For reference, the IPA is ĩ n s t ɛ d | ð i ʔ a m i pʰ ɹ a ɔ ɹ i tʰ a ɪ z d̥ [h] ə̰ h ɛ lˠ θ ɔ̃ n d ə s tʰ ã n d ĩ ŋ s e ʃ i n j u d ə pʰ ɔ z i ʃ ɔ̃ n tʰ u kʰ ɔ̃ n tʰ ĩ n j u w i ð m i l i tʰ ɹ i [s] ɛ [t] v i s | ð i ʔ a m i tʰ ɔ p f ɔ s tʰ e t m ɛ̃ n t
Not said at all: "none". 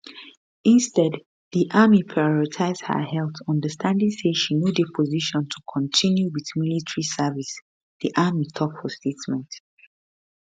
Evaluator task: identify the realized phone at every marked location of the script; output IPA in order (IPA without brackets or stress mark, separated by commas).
h, s, none